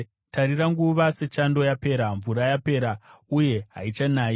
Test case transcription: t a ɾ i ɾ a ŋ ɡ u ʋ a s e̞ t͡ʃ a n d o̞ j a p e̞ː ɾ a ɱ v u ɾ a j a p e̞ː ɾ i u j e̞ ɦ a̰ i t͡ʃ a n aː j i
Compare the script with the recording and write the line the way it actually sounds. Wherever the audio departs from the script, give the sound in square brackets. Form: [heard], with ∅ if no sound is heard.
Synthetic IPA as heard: t a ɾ i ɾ a ŋ ɡ u ʋ a s e̞ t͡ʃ a n d o̞ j a p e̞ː ɾ a ɱ v u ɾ a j a p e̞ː ɾ [a] u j e̞ ɦ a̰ i t͡ʃ a n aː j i